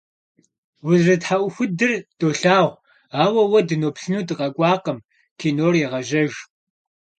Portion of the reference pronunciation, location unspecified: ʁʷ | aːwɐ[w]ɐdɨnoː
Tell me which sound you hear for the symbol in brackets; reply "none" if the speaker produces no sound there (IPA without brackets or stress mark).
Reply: w